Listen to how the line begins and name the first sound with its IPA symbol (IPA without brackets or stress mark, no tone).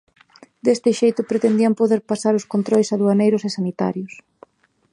d̪